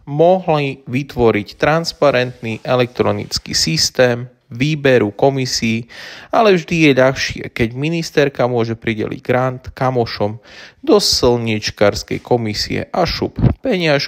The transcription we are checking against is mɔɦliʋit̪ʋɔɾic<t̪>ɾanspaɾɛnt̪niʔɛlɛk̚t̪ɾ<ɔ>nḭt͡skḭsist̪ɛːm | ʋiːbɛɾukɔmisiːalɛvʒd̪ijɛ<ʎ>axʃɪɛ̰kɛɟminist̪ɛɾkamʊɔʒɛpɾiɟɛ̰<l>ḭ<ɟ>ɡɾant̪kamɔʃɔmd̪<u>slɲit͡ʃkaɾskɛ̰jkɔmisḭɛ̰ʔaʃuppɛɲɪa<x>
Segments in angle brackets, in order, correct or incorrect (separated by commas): correct, correct, correct, correct, correct, incorrect, incorrect